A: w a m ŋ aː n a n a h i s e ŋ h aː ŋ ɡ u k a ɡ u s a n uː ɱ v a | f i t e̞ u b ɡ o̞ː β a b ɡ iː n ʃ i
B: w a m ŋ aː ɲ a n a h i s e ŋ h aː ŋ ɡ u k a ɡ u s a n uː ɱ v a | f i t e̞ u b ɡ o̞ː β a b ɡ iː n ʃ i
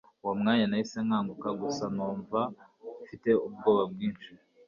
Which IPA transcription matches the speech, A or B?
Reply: B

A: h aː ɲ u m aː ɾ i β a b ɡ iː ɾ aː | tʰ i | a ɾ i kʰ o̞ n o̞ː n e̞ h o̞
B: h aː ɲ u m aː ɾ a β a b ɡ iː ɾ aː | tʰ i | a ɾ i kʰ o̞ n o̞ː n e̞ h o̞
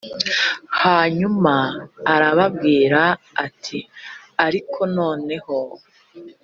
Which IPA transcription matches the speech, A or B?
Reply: B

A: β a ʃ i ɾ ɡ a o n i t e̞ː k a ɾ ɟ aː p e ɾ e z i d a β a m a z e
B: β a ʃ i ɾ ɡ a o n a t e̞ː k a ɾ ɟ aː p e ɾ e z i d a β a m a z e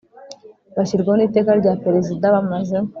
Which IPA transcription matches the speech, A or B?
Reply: A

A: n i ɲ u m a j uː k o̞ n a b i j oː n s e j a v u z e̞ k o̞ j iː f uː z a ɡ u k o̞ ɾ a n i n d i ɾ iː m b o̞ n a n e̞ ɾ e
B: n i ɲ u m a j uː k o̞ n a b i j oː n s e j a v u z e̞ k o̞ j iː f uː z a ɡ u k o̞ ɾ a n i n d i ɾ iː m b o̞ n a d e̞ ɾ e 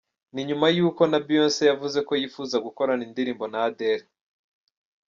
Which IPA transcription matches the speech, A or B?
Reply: B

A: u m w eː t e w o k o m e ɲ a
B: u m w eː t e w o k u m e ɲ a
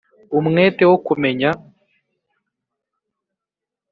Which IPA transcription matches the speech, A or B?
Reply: B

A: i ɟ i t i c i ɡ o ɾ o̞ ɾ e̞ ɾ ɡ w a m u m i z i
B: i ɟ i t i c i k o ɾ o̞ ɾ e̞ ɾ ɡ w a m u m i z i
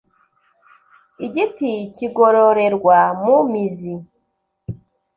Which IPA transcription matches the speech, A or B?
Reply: A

